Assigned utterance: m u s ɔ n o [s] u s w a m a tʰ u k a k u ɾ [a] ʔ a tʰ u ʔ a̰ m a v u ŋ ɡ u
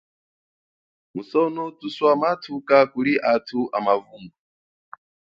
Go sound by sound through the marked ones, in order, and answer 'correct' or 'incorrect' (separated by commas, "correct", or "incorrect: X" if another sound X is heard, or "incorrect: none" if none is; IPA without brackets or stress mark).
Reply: incorrect: t, incorrect: i